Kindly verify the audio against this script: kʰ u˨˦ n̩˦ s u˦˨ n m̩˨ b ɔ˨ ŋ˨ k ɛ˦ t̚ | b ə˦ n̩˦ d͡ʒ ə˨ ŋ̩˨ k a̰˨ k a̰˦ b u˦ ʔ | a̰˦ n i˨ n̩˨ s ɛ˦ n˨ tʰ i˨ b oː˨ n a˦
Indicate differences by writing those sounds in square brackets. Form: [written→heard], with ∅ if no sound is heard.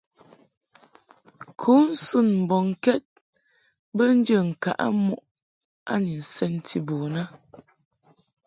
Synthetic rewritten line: kʰ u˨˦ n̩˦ s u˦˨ n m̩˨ b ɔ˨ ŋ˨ k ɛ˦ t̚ | b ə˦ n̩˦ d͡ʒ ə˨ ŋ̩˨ k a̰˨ [k→ʔ] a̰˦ [b→m] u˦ ʔ | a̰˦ n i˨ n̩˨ s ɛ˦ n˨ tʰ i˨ b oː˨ n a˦